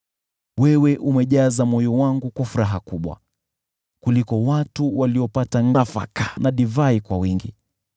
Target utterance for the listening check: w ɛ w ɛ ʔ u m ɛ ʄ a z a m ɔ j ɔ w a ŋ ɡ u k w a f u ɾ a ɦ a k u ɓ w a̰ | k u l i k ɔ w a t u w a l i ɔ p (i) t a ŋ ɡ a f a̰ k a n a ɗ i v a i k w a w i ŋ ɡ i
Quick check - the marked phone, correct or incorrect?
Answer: incorrect